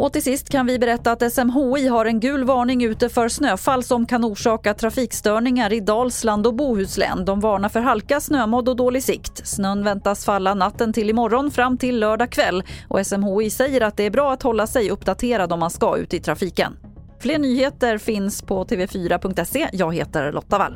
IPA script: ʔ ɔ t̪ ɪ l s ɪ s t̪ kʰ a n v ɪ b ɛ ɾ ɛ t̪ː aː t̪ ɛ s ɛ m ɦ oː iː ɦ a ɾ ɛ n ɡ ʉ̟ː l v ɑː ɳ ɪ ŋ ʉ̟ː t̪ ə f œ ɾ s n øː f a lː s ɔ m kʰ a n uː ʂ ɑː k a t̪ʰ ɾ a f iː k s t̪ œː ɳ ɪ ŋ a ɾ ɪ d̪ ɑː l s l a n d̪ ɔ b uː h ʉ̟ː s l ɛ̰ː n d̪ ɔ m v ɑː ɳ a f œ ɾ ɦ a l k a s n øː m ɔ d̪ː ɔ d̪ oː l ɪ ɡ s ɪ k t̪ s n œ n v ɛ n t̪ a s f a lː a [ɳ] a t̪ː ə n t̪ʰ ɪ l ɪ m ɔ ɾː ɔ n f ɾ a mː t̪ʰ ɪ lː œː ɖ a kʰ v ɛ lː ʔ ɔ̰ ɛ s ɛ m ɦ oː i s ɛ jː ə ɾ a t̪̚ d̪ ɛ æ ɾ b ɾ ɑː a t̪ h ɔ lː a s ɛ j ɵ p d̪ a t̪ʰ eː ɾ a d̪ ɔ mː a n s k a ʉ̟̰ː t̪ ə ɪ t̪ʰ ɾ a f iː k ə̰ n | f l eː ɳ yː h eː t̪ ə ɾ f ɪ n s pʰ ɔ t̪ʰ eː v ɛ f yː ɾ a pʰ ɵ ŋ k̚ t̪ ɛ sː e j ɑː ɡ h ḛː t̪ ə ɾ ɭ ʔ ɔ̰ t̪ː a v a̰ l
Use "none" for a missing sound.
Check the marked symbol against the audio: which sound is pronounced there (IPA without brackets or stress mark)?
n